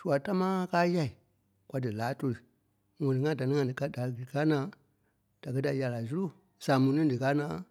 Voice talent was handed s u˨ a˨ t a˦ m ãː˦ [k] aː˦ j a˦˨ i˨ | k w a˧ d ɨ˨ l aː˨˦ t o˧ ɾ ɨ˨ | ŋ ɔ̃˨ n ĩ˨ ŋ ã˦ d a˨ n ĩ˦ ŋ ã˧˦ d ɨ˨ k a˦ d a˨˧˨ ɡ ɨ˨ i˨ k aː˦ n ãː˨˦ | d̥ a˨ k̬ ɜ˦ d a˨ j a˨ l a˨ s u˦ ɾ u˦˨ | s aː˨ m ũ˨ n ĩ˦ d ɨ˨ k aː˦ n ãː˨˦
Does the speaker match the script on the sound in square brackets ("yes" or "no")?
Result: yes